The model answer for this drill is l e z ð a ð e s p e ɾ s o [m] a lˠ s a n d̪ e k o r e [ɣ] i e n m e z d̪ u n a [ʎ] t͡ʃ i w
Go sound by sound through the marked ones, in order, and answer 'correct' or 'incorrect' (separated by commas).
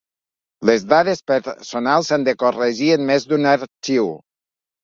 incorrect, incorrect, incorrect